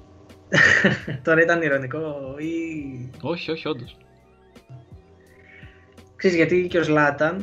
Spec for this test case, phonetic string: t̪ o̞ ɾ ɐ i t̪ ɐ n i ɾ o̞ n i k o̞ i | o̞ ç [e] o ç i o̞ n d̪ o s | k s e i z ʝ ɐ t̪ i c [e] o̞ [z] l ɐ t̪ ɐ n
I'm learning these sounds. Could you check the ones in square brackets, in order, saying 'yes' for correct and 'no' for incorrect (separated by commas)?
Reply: no, yes, yes